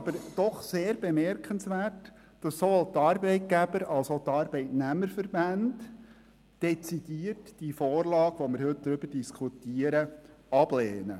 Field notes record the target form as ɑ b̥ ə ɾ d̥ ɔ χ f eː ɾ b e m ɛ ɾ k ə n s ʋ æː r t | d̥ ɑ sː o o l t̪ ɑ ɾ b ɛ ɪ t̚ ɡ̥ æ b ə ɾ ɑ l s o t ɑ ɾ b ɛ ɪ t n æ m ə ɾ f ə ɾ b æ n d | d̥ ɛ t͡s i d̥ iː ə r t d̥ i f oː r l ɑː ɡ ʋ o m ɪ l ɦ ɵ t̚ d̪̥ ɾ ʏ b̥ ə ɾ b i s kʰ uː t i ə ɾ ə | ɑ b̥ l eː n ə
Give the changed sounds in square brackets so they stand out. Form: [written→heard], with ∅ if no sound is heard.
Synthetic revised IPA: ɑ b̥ ə ɾ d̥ ɔ χ [f→s] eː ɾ b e m ɛ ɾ k ə n s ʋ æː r t | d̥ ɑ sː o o l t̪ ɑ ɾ b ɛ ɪ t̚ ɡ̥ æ b ə ɾ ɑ l s o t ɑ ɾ b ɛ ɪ t n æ m ə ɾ f ə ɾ b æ n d | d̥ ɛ t͡s i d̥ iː ə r t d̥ i f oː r l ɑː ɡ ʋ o m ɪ [l→ɾ] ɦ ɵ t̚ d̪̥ ɾ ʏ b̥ ə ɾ [b→d] i s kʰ [uː→u] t i ə ɾ ə | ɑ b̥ l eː n ə

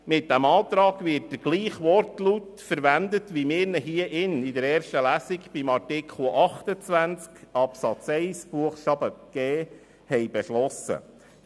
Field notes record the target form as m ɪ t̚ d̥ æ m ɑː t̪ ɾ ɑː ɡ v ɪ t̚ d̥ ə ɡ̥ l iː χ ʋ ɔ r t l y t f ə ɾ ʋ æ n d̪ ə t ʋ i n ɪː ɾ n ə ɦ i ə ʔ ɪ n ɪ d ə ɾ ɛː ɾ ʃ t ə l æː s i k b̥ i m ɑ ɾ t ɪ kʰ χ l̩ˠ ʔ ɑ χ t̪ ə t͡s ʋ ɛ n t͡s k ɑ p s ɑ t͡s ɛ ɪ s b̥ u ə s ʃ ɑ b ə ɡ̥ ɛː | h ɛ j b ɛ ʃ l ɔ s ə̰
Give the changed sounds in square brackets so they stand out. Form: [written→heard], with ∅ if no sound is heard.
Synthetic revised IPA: m ɪ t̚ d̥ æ m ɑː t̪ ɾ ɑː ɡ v ɪ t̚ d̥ ə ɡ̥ l iː χ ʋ ɔ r t l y t f ə ɾ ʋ æ n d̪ ə t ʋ i [n→m] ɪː ɾ n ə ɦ i ə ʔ ɪ n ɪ d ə ɾ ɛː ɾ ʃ t ə l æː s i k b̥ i m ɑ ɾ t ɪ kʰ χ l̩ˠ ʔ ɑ χ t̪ ə t͡s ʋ [ɛ→æ] n t͡s k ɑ p s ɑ t͡s ɛ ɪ s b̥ u ə [s→χ] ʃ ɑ b ə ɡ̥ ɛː | h ɛ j b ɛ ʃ l ɔ s ə̰

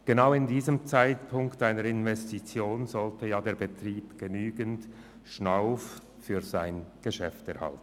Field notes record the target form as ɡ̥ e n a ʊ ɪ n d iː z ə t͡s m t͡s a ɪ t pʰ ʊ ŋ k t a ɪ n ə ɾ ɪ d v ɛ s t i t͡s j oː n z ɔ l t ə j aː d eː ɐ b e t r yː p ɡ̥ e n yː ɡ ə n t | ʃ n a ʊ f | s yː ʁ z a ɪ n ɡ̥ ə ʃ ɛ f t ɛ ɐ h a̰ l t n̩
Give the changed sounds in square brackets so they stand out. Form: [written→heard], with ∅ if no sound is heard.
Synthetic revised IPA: ɡ̥ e n a ʊ ɪ n d iː z ə [t͡s→∅] m t͡s a ɪ t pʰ ʊ ŋ k t a ɪ n ə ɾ ɪ [d→n] v ɛ s t i t͡s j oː n z ɔ l t ə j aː d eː ɐ b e t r [yː→iː] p ɡ̥ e n yː ɡ ə n t | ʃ n a ʊ f | [s→f] yː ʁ z a ɪ n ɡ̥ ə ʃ ɛ f t ɛ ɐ h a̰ l t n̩

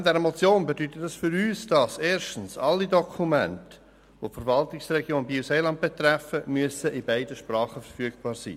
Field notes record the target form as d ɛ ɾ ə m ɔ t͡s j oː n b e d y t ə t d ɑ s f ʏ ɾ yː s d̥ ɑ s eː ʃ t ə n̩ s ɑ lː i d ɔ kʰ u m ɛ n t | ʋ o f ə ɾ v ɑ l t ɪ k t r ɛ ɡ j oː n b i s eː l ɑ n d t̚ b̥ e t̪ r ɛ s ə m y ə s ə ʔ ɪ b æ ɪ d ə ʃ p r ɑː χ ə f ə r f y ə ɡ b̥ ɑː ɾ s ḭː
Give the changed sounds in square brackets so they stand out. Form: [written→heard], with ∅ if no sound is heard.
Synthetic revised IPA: d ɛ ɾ ə m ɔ t͡s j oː n b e d y t ə t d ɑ s f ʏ ɾ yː s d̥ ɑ s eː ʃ t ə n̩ s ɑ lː i d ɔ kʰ u m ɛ n t | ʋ o f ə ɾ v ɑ l t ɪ k [t→s] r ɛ ɡ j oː n b i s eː l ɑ n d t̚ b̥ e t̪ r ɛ [s→f] ə m y ə s ə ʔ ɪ b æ ɪ d ə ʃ p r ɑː χ ə f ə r f y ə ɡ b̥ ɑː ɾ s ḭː

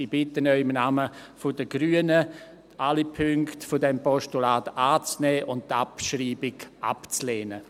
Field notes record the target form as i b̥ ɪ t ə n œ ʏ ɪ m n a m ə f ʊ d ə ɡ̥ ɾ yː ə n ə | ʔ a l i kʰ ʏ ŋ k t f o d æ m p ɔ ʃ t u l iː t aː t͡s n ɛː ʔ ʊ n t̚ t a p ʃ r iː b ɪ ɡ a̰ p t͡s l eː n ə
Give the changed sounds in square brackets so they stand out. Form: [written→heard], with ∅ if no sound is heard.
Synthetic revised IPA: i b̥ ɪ t ə n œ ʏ ɪ m n a m ə f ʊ d ə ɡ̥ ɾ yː ə n ə | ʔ a l i [kʰ→pʰ] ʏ ŋ k t f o d [æ→ɛ] m p ɔ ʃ t u l [iː→aː] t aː t͡s n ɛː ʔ ʊ n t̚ t a p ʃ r iː b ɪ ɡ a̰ p t͡s l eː n ə

